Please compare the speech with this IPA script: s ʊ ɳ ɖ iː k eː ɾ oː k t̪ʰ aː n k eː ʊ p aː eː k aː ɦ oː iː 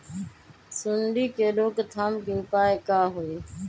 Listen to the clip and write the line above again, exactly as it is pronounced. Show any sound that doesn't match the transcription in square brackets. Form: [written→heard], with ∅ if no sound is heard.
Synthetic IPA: s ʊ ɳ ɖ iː k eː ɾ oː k t̪ʰ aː [n→m] k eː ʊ p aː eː k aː ɦ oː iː